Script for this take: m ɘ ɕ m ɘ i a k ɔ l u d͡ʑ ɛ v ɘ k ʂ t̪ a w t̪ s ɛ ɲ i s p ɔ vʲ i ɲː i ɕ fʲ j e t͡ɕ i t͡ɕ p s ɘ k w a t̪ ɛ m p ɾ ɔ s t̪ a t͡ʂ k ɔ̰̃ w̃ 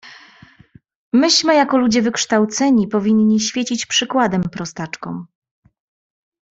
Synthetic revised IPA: m ɘ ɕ m ɘ j a k ɔ l u d͡ʑ ɛ v ɘ k ʂ t̪ a w t̪ s ɛ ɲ i p ɔ vʲ i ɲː i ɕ fʲ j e t͡ɕ i t͡ɕ p ʂ ɘ k w a d̪ ɛ m p ɾ ɔ s t̪ a t͡ʂ k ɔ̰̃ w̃